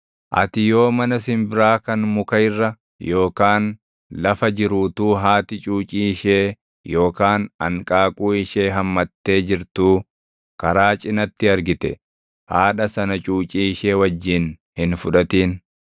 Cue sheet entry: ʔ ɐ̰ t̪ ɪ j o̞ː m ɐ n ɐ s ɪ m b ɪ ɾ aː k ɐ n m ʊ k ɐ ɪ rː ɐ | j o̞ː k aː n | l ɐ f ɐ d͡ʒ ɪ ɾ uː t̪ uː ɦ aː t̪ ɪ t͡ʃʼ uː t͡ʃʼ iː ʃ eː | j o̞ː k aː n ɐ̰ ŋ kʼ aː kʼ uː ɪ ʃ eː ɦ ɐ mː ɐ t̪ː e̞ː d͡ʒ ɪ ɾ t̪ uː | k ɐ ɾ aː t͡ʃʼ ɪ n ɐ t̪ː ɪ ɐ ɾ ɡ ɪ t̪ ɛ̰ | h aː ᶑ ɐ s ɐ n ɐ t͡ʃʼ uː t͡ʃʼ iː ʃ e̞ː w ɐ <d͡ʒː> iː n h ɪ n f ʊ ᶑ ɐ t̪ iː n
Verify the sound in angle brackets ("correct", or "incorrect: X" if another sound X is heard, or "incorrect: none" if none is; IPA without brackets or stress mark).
correct